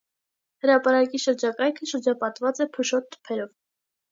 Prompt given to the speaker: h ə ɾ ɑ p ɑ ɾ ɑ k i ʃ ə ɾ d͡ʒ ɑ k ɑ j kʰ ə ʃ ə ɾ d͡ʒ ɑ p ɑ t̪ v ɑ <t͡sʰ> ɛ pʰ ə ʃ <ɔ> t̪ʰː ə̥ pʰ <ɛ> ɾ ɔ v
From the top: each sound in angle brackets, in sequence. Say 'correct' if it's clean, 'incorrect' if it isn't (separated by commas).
incorrect, correct, correct